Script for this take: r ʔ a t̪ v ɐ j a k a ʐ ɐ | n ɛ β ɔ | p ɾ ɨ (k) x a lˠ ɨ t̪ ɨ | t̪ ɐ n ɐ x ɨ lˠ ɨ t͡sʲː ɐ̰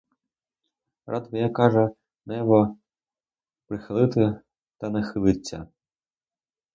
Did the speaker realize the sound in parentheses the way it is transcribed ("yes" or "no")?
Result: no